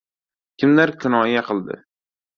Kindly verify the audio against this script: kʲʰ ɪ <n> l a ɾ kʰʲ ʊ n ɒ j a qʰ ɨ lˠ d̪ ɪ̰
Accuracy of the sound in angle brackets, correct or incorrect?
incorrect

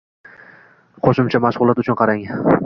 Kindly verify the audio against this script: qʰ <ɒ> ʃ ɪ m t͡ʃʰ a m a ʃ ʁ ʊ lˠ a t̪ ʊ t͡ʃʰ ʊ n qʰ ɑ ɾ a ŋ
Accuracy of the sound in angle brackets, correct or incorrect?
incorrect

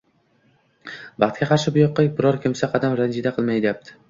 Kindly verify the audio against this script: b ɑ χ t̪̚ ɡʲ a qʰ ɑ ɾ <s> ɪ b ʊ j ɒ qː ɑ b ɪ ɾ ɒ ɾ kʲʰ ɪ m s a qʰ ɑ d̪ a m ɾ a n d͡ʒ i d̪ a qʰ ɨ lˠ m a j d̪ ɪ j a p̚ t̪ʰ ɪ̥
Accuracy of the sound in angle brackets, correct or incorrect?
incorrect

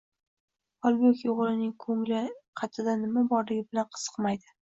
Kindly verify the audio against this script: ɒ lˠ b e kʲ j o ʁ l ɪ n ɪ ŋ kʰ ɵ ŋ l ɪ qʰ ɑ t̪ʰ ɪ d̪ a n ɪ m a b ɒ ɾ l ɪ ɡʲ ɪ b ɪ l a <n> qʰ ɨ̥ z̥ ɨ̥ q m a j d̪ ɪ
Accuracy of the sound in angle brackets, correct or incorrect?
correct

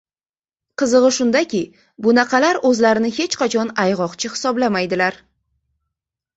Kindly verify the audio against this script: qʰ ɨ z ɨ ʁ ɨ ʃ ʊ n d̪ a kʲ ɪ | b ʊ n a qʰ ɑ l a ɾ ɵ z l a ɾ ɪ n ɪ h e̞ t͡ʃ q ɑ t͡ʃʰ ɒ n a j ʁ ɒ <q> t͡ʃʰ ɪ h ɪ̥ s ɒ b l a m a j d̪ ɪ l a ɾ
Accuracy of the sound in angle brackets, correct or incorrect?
correct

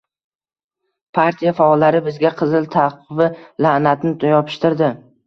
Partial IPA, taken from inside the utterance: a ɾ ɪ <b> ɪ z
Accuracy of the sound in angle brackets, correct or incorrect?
correct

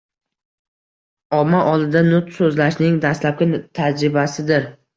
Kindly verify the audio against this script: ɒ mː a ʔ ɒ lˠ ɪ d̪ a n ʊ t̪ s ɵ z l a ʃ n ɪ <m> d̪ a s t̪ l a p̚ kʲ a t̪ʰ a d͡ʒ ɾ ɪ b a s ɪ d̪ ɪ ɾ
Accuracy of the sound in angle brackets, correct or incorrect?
incorrect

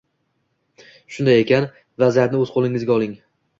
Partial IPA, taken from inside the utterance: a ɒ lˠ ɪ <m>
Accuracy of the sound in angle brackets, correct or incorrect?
incorrect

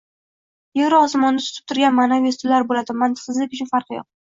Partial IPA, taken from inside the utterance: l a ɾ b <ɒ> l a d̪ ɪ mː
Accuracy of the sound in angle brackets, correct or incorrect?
incorrect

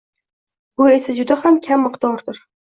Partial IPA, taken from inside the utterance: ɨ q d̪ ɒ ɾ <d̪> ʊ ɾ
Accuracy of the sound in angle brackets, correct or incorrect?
correct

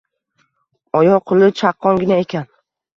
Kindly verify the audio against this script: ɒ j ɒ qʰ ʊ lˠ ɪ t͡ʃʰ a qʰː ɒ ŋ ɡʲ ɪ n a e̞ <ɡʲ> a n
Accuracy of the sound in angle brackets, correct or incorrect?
incorrect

